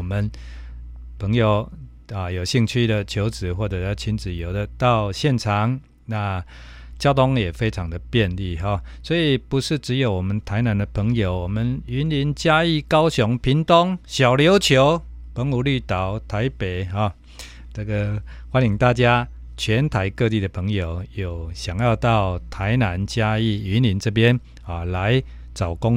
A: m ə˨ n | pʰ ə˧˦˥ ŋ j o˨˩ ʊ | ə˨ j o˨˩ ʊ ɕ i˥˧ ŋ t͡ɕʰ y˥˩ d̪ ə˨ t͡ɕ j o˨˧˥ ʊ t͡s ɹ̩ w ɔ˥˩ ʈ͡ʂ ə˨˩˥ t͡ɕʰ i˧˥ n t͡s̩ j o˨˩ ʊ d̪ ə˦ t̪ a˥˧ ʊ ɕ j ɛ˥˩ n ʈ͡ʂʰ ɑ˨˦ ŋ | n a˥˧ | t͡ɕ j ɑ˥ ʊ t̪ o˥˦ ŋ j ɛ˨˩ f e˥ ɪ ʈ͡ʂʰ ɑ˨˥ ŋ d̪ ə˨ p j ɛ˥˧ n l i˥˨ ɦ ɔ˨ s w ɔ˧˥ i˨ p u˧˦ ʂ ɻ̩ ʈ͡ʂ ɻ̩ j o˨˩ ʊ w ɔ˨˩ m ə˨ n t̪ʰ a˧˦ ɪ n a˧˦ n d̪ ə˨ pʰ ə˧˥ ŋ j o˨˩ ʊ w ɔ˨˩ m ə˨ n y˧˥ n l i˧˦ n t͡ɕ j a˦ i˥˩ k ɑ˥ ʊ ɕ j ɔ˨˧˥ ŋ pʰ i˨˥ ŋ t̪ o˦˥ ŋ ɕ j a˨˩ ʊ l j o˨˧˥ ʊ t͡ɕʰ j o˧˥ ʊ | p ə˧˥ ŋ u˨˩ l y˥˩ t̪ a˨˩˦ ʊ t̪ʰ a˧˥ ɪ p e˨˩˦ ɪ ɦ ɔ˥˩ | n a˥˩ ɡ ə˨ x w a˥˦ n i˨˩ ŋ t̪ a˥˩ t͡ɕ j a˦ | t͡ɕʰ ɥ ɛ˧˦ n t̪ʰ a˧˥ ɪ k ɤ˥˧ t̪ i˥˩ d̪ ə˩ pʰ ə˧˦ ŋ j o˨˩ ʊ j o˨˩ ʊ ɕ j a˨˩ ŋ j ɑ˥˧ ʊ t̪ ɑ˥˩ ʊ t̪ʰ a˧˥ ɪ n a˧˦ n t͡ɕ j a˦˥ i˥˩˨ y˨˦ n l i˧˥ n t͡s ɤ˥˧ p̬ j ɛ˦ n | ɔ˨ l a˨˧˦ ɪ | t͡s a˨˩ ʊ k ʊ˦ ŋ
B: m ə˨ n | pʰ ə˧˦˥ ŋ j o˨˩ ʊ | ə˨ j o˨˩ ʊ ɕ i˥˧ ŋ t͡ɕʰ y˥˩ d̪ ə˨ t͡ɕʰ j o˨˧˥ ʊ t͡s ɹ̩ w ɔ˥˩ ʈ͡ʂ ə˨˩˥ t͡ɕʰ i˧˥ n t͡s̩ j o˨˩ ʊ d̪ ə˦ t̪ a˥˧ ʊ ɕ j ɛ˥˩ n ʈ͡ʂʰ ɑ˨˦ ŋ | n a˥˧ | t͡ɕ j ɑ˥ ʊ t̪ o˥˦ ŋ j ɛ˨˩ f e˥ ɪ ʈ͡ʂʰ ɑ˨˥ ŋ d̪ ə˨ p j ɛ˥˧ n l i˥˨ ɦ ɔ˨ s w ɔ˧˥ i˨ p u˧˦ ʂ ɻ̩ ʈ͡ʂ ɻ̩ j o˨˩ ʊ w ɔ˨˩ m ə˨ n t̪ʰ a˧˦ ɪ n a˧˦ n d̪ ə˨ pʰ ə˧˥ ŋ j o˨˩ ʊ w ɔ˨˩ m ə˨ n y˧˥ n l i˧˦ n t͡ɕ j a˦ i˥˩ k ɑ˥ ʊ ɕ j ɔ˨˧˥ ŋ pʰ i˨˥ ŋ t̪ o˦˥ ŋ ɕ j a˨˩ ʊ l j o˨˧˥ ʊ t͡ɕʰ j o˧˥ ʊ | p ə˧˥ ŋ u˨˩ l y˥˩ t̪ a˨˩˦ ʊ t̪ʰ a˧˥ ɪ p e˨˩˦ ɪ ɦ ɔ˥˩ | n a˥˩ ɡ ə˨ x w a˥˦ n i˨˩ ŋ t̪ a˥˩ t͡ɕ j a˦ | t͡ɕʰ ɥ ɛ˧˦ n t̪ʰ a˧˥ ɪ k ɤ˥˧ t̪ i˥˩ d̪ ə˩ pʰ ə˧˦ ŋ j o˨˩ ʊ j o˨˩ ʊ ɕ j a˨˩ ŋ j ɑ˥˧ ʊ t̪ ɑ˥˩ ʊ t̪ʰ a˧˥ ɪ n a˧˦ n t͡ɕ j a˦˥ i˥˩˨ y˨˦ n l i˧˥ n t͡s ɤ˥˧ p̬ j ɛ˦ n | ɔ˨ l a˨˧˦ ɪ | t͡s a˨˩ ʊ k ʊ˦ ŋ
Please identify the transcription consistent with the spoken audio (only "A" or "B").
B